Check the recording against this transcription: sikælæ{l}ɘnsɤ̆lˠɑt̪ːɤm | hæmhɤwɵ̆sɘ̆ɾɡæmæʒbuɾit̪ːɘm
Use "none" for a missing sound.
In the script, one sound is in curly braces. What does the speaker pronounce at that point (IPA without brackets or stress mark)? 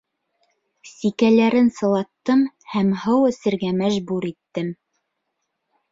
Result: ɾ